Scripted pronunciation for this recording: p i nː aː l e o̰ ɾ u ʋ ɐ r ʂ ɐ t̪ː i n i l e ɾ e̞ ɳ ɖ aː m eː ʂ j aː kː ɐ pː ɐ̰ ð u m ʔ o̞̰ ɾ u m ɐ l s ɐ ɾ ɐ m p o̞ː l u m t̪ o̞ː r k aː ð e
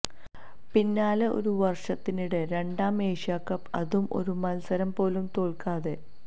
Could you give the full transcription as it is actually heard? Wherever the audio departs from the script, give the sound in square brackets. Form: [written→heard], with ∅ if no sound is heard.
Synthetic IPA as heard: p i nː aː l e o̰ ɾ u ʋ ɐ r ʂ ɐ t̪ː i n i [l→ɽ] e ɾ e̞ ɳ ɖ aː m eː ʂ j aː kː ɐ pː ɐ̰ ð u m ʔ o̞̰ ɾ u m ɐ l s ɐ ɾ ɐ m p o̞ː l u m t̪ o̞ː [r→ɭ] k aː ð e